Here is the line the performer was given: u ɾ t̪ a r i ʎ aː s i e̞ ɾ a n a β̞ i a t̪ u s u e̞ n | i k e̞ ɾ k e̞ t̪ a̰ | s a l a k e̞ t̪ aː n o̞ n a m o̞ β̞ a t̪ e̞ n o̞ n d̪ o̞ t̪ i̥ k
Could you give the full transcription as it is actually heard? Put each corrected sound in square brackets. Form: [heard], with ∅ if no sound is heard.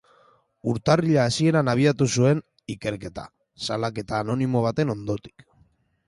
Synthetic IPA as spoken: u ɾ t̪ a r i ʎ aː s i e̞ ɾ a n a β̞ i a t̪ u s u e̞ n | i k e̞ ɾ k e̞ t̪ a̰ | s a l a k e̞ t̪ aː n o̞ n [i] m o̞ β̞ a t̪ e̞ n o̞ n d̪ o̞ t̪ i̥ k